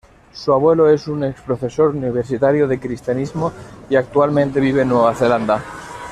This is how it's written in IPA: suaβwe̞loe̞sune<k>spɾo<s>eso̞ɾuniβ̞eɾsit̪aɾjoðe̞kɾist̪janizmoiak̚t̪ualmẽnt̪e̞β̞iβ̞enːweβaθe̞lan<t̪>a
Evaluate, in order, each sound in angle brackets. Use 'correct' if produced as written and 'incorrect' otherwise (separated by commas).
correct, incorrect, incorrect